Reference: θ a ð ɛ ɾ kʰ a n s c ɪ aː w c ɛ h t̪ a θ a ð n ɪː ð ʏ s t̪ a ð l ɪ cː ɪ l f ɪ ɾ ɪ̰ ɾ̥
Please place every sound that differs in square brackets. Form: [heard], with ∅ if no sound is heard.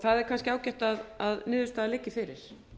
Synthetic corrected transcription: θ a ð ɛ ɾ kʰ a n s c ɪ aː w c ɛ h t̪ a [ð] a ð n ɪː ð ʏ s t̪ a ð l ɪ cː ɪ [∅] f ɪ ɾ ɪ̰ ɾ̥

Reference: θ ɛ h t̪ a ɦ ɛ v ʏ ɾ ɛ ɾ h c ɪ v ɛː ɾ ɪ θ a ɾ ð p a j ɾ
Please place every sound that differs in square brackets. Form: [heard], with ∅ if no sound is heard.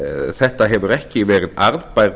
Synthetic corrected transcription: θ ɛ h t̪ a ɦ ɛ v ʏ ɾ ɛ [∅] h c ɪ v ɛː ɾ ɪ [ð] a ɾ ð p a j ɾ

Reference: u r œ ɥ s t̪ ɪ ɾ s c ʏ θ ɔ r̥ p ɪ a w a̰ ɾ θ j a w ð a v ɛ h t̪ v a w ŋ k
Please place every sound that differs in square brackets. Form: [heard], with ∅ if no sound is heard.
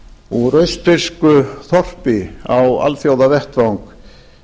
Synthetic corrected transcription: u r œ ɥ s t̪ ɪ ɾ s [k] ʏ θ ɔ r̥ p ɪ a w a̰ [l] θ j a w ð a v ɛ h t̪ v a w ŋ k

